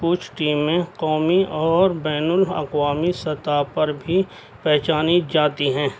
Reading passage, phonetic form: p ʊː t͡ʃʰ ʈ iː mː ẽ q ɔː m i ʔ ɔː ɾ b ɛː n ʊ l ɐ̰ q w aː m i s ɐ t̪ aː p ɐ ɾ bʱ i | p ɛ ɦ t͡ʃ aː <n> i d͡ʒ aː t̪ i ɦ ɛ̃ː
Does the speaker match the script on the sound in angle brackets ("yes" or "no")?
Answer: yes